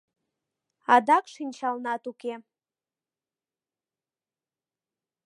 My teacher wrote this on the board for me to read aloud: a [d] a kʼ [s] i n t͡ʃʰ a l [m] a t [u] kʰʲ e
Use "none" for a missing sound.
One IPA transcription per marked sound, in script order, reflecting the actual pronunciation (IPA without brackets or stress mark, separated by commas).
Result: d, ʂ, n, u